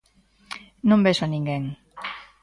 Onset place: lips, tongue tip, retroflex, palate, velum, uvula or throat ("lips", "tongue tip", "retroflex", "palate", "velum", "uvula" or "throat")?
tongue tip